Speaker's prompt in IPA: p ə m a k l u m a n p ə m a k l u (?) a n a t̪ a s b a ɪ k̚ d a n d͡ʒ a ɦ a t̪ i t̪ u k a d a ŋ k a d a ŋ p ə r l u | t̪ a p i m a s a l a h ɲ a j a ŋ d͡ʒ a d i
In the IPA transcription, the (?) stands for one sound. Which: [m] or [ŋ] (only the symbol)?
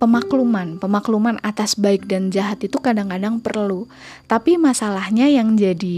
m